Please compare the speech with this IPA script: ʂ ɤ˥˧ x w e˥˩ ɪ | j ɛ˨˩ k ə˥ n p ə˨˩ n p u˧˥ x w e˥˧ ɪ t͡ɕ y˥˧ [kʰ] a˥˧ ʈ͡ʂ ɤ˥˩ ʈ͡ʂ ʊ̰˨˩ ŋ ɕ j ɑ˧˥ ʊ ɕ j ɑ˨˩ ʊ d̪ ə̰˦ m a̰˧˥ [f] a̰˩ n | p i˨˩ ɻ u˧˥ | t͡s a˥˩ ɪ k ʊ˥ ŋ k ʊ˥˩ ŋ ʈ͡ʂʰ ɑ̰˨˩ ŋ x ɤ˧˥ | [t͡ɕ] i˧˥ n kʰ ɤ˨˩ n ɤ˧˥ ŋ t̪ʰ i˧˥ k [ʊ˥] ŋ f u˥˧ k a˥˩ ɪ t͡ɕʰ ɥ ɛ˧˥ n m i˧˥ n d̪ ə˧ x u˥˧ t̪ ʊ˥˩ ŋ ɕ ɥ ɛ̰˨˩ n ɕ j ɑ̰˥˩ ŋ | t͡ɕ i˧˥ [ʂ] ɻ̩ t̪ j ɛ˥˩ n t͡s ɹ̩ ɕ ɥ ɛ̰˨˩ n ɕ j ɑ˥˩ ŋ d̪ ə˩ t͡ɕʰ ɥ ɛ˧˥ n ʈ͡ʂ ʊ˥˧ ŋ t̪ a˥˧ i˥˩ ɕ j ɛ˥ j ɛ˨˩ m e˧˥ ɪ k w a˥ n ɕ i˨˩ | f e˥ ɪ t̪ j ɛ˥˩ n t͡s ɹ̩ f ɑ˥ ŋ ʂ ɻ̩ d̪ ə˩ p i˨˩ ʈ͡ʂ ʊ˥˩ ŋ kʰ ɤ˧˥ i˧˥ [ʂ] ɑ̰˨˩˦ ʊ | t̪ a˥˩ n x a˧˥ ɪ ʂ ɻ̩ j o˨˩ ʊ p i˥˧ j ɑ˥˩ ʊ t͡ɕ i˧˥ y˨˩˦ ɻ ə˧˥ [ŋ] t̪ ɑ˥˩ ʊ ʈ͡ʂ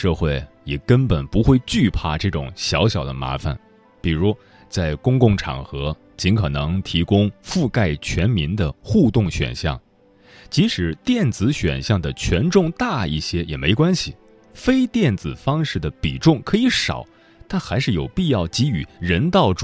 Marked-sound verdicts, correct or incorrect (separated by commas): incorrect, correct, correct, correct, correct, correct, incorrect